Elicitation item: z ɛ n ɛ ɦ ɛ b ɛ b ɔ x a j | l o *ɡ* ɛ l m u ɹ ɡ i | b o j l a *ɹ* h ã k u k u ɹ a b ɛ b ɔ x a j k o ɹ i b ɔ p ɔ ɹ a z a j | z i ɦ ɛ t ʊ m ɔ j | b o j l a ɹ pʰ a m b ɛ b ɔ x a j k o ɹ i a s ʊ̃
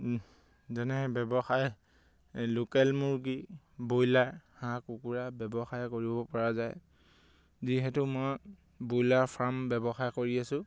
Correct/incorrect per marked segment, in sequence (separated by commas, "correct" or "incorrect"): incorrect, correct